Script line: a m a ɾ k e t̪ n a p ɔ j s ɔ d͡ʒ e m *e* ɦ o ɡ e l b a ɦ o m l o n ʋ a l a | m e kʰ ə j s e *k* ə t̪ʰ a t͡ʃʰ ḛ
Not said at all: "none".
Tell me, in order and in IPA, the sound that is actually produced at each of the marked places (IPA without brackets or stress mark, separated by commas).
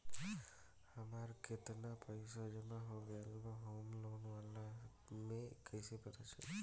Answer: a, p